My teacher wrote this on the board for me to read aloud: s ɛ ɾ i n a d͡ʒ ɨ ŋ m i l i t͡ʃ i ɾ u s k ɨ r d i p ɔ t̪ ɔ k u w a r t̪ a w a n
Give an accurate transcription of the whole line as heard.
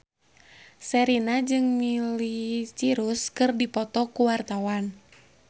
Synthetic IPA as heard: s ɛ ɾ i n a d͡ʒ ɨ ŋ m i l i t͡ʃ i ɾ u s k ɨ r d i p ɔ t̪ ɔ k u w a r t̪ a w a n

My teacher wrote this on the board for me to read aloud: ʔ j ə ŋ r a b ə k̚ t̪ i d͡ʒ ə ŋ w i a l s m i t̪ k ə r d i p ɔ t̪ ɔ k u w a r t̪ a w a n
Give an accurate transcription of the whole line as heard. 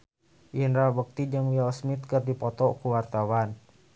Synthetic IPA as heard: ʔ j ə n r a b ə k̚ t̪ i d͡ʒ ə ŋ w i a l s m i t̪ k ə r d i p ɔ t̪ ɔ k u w a r t̪ a w a n

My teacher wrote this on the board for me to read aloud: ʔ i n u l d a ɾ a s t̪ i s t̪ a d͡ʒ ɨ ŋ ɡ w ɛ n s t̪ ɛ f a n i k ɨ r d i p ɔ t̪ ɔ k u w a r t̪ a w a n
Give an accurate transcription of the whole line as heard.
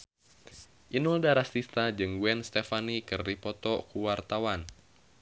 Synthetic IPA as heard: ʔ i n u l d a ɾ a s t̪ i s t̪ a d͡ʒ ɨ ŋ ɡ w ɛ n s t̪ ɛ f a n i k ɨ r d i p ɔ t̪ ɔ k u w a r t̪ a w a n

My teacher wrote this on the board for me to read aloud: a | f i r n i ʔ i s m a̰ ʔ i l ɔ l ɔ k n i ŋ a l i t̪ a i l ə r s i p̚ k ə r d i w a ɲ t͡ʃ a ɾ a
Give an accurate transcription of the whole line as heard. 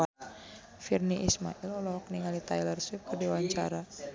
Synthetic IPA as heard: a | f i r n i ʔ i s m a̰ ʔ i l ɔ l ɔ k n i ŋ a l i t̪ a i l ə r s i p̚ k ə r d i w a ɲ t͡ʃ a ɾ a

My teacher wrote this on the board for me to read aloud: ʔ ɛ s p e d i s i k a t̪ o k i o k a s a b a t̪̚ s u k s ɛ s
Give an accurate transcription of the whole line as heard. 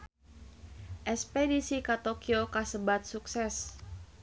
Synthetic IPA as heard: ʔ ɛ s p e d i s i k a t̪ o k i o k a s ə b a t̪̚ s u k s ɛ s

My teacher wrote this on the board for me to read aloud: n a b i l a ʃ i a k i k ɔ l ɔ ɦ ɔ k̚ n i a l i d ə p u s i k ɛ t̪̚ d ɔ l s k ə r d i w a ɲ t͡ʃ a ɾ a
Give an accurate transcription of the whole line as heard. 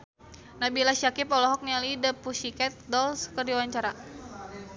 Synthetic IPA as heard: n a b i l a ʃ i a k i p ɔ l ɔ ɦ ɔ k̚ n i a l i d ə p u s i k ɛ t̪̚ d ɔ l s k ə r d i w a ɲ t͡ʃ a ɾ a

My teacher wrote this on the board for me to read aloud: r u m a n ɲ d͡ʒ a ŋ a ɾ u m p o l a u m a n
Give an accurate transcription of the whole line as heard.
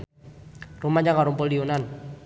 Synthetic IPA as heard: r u m a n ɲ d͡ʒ a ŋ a ɾ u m p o l i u n a n

